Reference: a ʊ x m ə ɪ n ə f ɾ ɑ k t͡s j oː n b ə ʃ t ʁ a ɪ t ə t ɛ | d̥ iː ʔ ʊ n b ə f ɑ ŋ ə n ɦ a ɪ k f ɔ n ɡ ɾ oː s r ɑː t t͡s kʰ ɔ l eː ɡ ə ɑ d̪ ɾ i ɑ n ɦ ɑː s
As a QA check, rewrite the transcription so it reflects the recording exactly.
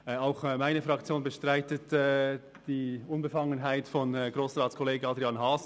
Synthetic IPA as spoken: a ʊ x m a ɪ n ə f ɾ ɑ k t͡s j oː n b ə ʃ t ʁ a ɪ t ə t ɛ | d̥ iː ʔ ʊ n b ə f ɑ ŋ ə n ɦ a ɪ t f ɔ n ɡ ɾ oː s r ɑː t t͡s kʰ ɔ l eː ɡ ə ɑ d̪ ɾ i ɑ n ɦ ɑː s